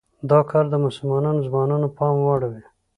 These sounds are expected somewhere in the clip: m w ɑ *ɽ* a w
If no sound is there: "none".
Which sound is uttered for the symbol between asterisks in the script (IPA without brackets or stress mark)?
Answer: ɽ